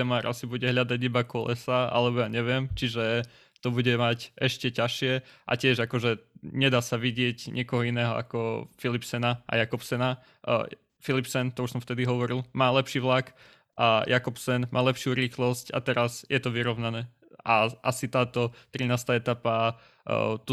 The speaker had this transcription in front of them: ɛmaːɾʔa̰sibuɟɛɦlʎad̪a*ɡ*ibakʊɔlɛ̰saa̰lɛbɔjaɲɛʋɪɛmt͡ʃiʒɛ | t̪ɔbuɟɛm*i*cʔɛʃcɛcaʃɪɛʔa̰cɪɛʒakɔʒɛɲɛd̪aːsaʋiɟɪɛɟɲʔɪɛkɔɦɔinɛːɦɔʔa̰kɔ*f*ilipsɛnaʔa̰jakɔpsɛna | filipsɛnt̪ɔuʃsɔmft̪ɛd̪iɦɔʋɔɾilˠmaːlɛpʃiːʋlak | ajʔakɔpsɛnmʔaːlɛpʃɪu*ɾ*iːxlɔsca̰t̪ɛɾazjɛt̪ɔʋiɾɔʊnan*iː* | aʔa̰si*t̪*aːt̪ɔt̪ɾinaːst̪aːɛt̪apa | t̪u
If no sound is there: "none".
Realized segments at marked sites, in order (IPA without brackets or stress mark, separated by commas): ɟ, a, f, ɾ, ɛː, t̪